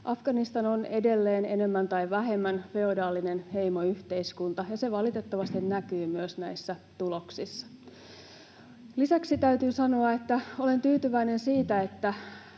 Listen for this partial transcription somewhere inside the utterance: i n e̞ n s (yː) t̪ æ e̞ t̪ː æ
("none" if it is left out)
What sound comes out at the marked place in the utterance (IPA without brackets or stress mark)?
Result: iː